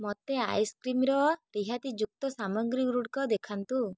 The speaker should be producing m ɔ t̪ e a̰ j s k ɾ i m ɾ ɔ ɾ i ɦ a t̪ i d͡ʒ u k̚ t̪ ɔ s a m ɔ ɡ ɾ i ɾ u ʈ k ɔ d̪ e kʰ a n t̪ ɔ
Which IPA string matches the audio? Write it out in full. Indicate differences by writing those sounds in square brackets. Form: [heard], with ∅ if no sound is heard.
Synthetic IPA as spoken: m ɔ t̪ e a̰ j s k ɾ i m ɾ ɔ ɾ i ɦ a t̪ i d͡ʒ u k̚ t̪ ɔ s a m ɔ ɡ ɾ i ɾ u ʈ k ɔ d̪ e kʰ a n t̪ [u]